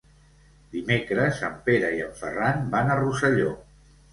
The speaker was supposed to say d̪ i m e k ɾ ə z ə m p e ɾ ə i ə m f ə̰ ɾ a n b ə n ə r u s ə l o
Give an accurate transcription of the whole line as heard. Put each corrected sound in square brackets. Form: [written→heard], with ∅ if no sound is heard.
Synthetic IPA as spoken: d̪ i m e k ɾ ə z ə m p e ɾ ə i ə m f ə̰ [ɾ→r] a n b [ə→a] n ə r u s ə [l→ʎ] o